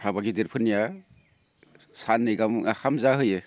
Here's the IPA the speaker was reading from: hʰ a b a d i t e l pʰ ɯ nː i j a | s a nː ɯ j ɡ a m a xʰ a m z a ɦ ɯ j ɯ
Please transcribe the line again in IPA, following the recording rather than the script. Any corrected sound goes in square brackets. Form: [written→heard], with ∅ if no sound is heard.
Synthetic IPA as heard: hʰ a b a [d→ɡ] i [t→d] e [l→ɾ] pʰ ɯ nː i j a | s a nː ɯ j ɡ a m a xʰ a m z a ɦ ɯ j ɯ